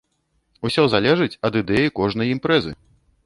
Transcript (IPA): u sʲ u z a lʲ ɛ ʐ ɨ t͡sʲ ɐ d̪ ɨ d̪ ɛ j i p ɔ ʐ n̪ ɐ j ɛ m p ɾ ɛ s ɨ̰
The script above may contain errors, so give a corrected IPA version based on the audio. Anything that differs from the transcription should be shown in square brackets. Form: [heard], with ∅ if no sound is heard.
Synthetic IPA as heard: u sʲ [ɔ] z a lʲ ɛ ʐ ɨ t͡sʲ ɐ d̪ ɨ d̪ ɛ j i [k] ɔ ʐ n̪ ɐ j [i] m p ɾ ɛ [z] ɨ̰